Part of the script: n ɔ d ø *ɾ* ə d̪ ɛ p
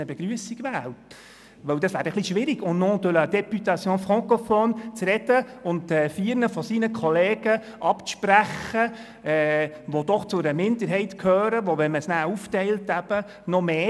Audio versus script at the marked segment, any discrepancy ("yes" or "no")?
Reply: yes